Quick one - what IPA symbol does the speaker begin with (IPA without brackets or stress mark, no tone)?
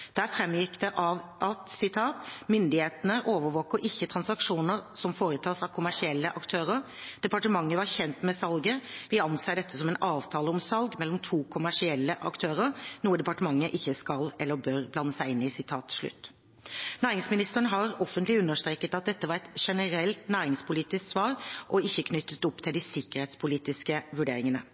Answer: d̪̥